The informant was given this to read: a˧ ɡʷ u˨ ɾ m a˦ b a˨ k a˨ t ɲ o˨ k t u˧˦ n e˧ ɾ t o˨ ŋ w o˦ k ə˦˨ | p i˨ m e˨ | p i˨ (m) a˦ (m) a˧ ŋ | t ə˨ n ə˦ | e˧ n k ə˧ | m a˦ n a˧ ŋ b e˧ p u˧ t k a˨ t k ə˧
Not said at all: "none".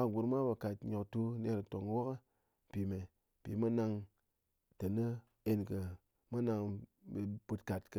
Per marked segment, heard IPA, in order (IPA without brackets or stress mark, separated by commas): m, n